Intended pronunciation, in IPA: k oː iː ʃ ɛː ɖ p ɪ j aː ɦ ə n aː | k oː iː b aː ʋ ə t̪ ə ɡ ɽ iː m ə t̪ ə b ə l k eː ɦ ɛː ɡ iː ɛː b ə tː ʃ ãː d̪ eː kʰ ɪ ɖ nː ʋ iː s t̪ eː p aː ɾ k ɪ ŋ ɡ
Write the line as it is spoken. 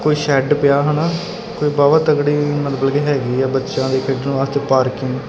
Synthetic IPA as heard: k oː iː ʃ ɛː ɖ p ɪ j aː ɦ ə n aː | k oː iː b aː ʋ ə t̪ ə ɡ ɽ iː m ə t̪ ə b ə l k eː ɦ ɛː ɡ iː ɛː b ə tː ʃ ãː d̪ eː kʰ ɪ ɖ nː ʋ aː s t̪ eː p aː ɾ k ɪ ŋ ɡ